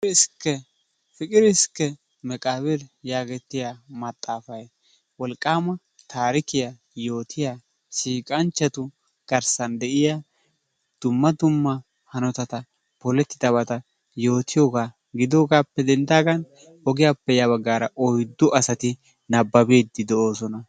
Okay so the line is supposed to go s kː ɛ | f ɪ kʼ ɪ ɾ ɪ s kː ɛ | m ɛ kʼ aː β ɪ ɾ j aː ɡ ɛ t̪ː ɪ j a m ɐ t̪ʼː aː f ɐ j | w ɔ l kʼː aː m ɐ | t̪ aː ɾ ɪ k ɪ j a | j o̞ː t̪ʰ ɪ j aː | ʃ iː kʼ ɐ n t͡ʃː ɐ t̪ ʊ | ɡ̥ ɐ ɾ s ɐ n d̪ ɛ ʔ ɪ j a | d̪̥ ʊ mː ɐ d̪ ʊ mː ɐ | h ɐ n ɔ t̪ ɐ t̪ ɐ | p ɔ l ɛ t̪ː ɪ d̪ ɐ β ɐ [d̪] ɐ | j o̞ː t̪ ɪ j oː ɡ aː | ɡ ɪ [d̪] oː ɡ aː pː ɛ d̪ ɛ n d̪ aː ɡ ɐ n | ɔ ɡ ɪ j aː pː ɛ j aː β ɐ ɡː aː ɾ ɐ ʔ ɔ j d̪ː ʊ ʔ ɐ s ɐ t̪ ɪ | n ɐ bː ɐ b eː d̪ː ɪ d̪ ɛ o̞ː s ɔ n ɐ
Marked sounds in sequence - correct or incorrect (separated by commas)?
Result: incorrect, correct